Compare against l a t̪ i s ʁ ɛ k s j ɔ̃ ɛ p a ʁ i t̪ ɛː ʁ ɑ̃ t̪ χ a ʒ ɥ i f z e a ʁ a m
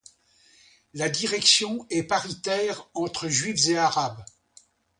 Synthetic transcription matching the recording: l a d̪ i ʁ ɛ k s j ɔ̃ ɛ p a ʁ i t̪ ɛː ʁ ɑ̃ t̪ χ ə ʒ ɥ i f z e a ʁ a b